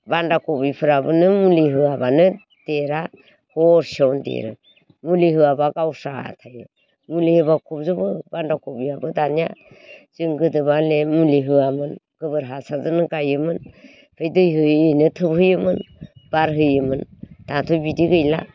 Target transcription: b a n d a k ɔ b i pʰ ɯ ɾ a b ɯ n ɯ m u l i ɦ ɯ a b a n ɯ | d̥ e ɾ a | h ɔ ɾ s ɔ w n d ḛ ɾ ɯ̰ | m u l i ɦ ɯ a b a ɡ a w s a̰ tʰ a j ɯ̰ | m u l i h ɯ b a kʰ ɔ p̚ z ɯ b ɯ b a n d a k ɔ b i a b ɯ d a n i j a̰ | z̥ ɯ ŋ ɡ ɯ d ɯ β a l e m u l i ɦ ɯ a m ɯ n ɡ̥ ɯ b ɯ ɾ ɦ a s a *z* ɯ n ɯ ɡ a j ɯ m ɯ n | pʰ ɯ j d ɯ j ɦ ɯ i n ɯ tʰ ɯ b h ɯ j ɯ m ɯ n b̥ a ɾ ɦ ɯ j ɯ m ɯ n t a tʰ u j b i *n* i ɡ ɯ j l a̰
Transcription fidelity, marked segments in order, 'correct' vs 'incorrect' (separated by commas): correct, incorrect